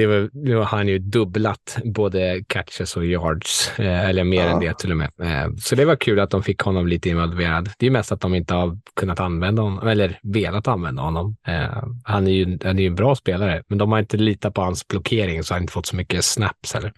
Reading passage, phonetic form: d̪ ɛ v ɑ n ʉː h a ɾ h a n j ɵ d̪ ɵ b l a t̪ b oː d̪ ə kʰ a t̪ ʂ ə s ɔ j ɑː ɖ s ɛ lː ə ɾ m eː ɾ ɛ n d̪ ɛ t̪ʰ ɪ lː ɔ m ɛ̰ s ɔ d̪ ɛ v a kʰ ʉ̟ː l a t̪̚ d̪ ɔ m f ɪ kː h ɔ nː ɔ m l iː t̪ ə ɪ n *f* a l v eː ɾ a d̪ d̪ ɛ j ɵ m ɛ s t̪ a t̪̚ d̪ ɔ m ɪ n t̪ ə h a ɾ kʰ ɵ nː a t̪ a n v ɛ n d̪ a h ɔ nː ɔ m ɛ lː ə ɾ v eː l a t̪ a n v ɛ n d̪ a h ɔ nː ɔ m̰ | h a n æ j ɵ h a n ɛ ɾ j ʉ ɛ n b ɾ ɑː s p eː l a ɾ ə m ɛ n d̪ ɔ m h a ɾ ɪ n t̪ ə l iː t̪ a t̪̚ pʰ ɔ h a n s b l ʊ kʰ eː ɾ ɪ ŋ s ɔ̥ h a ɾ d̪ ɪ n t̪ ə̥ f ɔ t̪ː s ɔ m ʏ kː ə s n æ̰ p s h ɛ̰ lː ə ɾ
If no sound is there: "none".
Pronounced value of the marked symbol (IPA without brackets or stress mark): v